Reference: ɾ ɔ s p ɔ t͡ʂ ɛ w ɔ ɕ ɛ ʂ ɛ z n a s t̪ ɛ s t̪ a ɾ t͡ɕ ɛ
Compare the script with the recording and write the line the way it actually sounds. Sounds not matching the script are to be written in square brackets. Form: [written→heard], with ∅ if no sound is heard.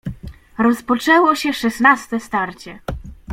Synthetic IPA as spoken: ɾ ɔ s p ɔ t͡ʂ ɛ w ɔ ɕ ɛ ʂ ɛ [z→s] n a s t̪ ɛ s t̪ a ɾ t͡ɕ ɛ

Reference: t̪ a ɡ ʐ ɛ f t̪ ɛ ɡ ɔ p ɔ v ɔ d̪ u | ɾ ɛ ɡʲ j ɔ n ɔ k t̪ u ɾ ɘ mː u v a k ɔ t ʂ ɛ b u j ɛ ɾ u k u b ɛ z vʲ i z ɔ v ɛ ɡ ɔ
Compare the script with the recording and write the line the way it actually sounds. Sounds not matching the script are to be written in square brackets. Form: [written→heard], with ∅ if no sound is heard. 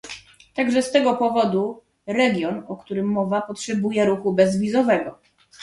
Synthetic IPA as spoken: t̪ a ɡ ʐ ɛ [f→s] t̪ ɛ ɡ ɔ p ɔ v ɔ d̪ u | ɾ ɛ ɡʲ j ɔ n ɔ k t̪ u ɾ ɘ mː [u→ɔ] v a [k→p] ɔ t ʂ ɛ b u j ɛ ɾ u [k→x] u b ɛ z vʲ i z ɔ v ɛ ɡ ɔ

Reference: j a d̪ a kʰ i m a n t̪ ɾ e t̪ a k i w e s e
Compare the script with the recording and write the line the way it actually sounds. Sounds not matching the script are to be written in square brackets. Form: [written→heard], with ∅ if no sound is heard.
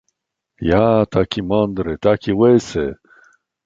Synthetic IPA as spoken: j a [d̪→t̪] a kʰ i m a n [t̪→d̪] ɾ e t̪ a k i w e s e

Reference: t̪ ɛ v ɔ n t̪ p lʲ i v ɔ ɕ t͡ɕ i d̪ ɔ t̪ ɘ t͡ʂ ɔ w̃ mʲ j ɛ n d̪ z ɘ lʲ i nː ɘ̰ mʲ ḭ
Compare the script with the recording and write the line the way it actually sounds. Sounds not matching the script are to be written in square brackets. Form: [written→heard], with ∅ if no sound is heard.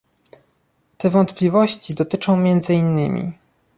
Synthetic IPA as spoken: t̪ ɛ v ɔ n t̪ p lʲ i v ɔ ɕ t͡ɕ i d̪ ɔ t̪ ɘ t͡ʂ [ɔ→ɔ̃] w̃ mʲ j ɛ n d̪ z ɘ [lʲ→∅] i nː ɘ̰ mʲ ḭ

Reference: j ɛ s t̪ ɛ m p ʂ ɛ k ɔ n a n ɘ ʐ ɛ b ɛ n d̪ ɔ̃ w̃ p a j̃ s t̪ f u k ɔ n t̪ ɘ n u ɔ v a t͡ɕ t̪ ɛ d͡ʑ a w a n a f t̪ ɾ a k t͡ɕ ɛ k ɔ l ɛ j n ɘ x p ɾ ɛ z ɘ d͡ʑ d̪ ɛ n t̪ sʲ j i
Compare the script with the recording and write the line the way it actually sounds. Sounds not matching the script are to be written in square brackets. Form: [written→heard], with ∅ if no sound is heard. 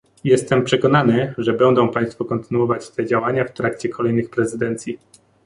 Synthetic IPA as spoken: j ɛ s t̪ ɛ m p ʂ ɛ k ɔ n a n ɘ ʐ ɛ b ɛ n d̪ ɔ̃ w̃ p a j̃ s t̪ f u k ɔ n t̪ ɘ n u ɔ v a t͡ɕ t̪ ɛ d͡ʑ a w a [n→ɲ] a f t̪ ɾ a k t͡ɕ ɛ k ɔ l ɛ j n ɘ x p ɾ ɛ z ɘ [d͡ʑ→∅] d̪ ɛ n t̪ sʲ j i

